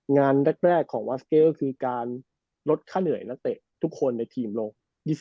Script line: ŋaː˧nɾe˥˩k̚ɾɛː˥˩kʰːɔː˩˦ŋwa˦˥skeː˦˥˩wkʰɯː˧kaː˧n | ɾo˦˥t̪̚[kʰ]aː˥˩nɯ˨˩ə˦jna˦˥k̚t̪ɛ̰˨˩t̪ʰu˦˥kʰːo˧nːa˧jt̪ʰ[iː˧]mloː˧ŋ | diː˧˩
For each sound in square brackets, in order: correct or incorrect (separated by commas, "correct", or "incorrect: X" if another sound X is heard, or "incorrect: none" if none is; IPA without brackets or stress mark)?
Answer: correct, correct